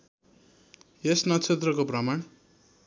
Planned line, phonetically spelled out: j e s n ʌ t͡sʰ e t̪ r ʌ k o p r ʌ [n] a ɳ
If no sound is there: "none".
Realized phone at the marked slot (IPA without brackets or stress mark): m